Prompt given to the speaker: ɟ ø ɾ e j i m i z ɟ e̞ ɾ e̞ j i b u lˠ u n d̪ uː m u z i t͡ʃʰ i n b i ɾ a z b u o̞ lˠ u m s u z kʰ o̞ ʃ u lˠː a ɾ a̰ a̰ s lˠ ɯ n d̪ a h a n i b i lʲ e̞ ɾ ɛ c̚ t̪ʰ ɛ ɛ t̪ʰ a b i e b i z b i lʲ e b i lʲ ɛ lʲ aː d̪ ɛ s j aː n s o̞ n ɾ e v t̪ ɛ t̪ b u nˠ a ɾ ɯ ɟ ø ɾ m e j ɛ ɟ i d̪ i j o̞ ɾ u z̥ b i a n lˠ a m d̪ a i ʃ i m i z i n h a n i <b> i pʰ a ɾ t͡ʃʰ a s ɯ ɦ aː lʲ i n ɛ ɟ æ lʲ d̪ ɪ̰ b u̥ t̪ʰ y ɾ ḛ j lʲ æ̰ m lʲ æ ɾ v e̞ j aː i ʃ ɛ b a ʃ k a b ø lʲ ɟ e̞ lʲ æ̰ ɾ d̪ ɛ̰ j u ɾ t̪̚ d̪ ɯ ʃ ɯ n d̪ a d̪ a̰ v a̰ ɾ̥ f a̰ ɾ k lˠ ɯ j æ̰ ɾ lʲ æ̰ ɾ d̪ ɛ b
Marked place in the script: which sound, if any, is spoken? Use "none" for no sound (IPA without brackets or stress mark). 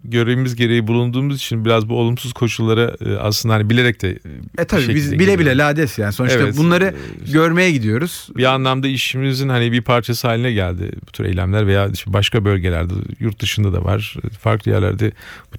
b